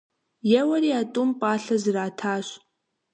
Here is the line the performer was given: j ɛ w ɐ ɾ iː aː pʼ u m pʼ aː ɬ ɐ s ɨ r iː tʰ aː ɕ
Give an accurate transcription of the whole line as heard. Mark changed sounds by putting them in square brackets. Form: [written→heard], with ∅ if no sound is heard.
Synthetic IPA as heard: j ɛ w ɐ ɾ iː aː [pʼ→tʼ] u m pʼ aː ɬ ɐ [s→z] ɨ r [iː→aː] tʰ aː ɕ